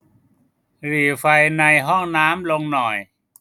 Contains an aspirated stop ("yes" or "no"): no